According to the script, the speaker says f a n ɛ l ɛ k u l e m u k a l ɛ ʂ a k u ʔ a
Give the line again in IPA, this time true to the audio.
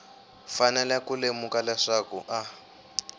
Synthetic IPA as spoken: f a n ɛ l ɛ k u l e m u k a l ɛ ʂ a k u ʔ a